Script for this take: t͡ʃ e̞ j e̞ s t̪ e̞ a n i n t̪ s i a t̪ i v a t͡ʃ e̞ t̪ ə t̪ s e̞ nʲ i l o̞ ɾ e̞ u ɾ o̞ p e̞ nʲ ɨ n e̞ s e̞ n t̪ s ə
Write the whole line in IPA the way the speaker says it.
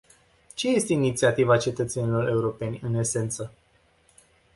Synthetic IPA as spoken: t͡ʃ e̞ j e̞ s t̪ e̞ i n i t̪ s i a t̪ i v a t͡ʃ e̞ t̪ ə t̪ s e̞ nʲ i l o̞ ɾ e̞ u ɾ o̞ p e̞ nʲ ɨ n e̞ s e̞ n t̪ s ə